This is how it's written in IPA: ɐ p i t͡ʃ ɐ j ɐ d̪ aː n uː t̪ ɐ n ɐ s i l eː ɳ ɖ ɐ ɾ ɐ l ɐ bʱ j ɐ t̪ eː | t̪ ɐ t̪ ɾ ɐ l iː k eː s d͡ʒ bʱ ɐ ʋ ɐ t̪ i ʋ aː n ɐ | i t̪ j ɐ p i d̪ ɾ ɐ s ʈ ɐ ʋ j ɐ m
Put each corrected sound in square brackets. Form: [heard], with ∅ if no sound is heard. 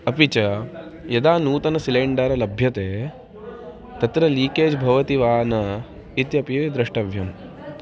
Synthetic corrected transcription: ɐ p i t͡ʃ ɐ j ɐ d̪ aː n uː t̪ ɐ n ɐ s i l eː ɳ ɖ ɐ ɾ ɐ l ɐ bʱ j ɐ t̪ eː | t̪ ɐ t̪ ɾ ɐ l iː k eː [∅] d͡ʒ bʱ ɐ ʋ ɐ t̪ i ʋ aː n ɐ | i t̪ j ɐ p i d̪ ɾ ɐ [ʂ] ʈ ɐ ʋ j ɐ m